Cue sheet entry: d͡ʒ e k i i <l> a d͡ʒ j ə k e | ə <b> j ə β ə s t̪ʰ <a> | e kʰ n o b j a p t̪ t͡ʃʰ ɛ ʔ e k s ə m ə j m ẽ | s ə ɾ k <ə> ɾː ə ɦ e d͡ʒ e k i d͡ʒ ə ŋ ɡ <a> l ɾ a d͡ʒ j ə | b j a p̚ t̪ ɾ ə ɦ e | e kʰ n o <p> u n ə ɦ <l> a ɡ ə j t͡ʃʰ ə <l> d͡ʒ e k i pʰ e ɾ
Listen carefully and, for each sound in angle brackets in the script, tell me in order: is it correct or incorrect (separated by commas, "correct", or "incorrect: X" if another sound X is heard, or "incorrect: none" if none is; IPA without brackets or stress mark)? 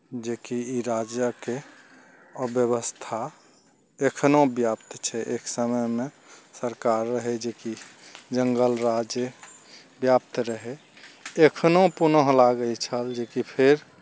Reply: incorrect: ɾ, correct, correct, incorrect: a, incorrect: ə, correct, correct, correct